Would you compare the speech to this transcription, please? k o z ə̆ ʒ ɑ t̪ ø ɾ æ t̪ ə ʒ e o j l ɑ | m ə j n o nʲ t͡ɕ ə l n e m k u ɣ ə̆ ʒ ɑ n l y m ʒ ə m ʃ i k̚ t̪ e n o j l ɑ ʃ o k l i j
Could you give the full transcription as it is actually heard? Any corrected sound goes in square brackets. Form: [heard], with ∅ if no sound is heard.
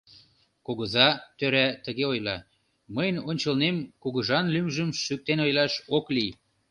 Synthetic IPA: k o [ɣ] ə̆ [z] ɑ t̪ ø ɾ æ t̪ ə [ɣ] e o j l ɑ | m ə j n o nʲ t͡ɕ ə l n e m k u ɣ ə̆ ʒ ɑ n l y m ʒ ə m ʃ [y] k̚ t̪ e n o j l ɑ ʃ o k l i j